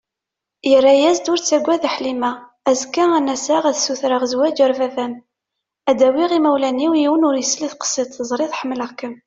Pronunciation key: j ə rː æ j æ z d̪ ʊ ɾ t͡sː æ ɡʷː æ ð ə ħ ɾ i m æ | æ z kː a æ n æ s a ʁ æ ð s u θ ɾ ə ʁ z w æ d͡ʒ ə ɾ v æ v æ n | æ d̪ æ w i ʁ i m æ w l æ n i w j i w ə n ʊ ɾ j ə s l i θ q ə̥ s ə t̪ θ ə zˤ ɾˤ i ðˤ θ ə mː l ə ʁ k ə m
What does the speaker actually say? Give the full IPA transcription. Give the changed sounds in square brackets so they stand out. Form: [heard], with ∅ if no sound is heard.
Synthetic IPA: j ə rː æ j æ z d̪ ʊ ɾ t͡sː æ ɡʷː æ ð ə ħ [l] i m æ | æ z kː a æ n æ s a ʁ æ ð s u θ ɾ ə ʁ z w æ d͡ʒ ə ɾ v æ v æ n | æ d̪ æ w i ʁ i m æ w l æ n i w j i w ə n ʊ ɾ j ə s l i θ q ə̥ s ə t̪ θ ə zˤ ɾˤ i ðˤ [ħ] ə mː l ə ʁ k ə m